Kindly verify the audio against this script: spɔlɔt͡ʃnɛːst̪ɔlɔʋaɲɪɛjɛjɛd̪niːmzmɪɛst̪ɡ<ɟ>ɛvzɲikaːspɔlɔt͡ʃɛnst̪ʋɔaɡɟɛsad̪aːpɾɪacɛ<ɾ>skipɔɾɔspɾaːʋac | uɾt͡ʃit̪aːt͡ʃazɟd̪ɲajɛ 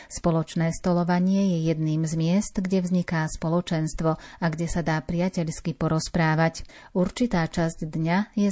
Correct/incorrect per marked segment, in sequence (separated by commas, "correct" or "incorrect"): correct, incorrect